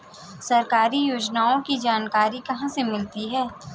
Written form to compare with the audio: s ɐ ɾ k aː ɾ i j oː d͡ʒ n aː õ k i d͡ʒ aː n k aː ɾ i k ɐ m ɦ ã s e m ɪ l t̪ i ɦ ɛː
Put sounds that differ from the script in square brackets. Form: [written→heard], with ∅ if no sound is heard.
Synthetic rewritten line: s ɐ ɾ k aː ɾ i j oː d͡ʒ n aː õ k i d͡ʒ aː n k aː ɾ i k ɐ [m→∅] ɦ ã s e m ɪ l t̪ i ɦ ɛː